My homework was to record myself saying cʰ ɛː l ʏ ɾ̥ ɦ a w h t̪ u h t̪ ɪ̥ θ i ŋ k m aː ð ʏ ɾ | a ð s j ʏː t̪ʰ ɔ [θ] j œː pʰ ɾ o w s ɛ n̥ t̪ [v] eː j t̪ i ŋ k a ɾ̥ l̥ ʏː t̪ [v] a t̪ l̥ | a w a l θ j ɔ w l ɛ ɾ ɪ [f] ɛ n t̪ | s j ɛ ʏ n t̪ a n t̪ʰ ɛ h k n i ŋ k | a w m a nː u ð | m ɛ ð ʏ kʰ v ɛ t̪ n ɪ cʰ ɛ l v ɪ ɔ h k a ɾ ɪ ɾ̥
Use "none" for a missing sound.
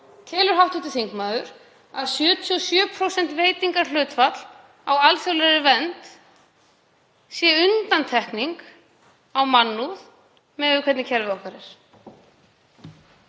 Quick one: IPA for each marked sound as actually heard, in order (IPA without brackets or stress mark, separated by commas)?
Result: s, v, f, v